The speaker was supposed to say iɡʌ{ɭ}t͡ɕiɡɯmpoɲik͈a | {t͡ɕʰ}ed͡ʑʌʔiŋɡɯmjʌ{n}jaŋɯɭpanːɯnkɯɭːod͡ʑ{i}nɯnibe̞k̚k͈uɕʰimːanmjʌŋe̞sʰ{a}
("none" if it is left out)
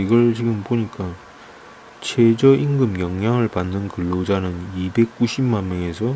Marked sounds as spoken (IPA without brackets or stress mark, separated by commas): ɭ, t͡ɕʰ, ŋ, a, ʌ